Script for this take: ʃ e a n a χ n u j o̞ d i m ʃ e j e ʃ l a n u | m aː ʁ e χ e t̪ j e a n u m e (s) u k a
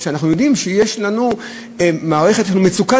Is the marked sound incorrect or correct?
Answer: incorrect